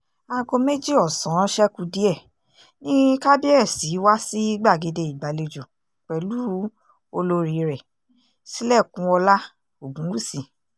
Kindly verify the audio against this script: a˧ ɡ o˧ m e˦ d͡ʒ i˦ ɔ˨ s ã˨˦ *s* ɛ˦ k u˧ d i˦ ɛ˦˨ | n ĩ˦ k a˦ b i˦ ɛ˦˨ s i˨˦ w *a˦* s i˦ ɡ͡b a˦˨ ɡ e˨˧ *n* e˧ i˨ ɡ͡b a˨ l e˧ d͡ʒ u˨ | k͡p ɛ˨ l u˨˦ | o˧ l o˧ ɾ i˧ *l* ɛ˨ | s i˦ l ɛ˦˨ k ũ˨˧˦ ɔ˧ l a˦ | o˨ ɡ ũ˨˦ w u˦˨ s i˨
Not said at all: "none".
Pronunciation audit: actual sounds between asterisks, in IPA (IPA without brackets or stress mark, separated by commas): ʃ, a˦, d, ɾ